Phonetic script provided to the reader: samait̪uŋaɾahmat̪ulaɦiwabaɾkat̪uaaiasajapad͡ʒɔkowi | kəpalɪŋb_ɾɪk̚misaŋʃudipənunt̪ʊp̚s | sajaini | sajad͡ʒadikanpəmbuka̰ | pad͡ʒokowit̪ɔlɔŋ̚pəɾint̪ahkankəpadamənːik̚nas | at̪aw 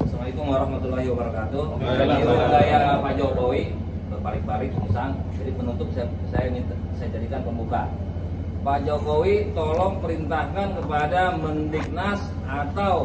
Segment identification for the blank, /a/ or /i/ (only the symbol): a